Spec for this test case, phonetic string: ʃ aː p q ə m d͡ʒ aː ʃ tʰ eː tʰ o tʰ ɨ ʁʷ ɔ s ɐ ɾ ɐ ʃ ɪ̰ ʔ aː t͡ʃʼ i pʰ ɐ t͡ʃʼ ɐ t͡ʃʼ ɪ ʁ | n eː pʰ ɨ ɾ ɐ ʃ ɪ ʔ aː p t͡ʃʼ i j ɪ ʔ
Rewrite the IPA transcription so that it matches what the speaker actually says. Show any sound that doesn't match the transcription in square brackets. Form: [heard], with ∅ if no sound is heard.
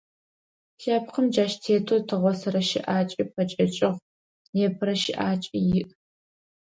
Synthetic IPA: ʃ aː p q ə m d͡ʒ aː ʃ tʰ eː tʰ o tʰ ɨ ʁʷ ɔ s ɐ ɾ ɐ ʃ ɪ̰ ʔ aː t͡ʃʼ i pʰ ɐ t͡ʃʼ ɐ t͡ʃʼ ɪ ʁ | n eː pʰ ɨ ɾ ɐ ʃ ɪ ʔ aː [∅] t͡ʃʼ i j ɪ ʔ